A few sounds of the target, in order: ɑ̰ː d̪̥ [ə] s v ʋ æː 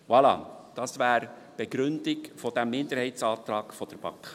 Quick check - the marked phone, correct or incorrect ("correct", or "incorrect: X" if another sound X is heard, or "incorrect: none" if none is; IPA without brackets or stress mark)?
incorrect: ɑ